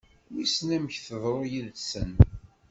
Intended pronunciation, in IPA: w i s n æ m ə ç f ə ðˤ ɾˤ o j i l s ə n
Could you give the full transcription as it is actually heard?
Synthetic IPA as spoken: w i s n æ m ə ç θ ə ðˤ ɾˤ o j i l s ə n

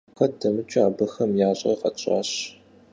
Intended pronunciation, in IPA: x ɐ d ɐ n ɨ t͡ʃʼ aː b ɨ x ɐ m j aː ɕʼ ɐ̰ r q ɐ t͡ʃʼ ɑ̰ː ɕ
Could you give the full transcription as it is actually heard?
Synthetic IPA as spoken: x ɐ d ɐ m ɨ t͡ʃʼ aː b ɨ x ɐ m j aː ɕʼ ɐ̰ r q ɐ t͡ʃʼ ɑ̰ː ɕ

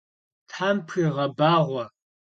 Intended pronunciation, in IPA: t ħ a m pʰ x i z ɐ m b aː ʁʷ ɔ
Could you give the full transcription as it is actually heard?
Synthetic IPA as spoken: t ħ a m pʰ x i ʁ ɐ b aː ʁʷ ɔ

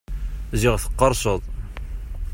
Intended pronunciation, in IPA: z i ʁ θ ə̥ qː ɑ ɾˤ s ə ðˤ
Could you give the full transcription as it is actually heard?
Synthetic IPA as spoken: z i ʁ θ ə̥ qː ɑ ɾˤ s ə ðˤ

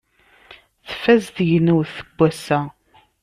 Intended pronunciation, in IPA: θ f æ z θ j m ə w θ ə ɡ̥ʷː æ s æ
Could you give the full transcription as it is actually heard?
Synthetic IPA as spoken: θ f æ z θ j n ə w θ ə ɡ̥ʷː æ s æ

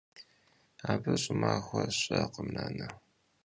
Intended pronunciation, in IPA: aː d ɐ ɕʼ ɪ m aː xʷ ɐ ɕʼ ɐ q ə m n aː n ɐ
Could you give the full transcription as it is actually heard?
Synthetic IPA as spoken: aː b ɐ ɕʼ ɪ m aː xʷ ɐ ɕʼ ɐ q ə m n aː n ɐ

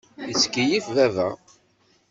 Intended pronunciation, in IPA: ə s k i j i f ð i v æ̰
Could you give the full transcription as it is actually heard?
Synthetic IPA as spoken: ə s k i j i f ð æ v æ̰

